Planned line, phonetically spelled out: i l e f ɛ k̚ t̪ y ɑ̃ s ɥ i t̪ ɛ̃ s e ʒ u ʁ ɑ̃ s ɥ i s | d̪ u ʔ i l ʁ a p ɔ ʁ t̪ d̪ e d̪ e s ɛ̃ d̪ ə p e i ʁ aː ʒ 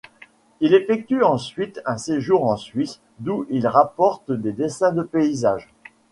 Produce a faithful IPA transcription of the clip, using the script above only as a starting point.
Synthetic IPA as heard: i l e f ɛ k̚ t̪ y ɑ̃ s ɥ i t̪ ɛ̃ s e ʒ u ʁ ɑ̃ s ɥ i s | d̪ u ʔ i l ʁ a p ɔ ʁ t̪ d̪ e d̪ e s ɛ̃ d̪ ə p e i z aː ʒ